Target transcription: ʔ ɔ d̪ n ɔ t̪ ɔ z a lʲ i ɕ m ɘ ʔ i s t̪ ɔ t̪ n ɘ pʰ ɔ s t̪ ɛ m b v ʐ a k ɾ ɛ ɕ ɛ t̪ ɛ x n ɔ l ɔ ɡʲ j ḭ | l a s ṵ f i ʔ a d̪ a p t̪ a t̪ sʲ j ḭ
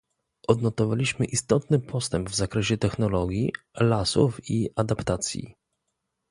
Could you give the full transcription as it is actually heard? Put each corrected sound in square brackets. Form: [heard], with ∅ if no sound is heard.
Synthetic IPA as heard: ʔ ɔ d̪ n ɔ t̪ ɔ [v] a lʲ i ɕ m ɘ ʔ i s t̪ ɔ t̪ n ɘ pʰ ɔ s t̪ ɛ m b v [z] a k ɾ ɛ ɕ ɛ t̪ ɛ x n ɔ l ɔ ɡʲ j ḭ | l a s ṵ f i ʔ a d̪ a p t̪ a t̪ sʲ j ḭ